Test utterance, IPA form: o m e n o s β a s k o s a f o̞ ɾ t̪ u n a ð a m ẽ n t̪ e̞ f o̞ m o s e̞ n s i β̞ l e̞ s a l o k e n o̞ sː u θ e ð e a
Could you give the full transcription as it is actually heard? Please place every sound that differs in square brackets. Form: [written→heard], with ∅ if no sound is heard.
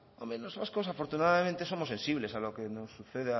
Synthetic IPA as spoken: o m e n o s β a s k o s a f o̞ ɾ t̪ u n a ð a m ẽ n t̪ e̞ [f→s] o̞ m o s e̞ n s i β̞ l e̞ s a l o k e n o̞ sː u θ e ð e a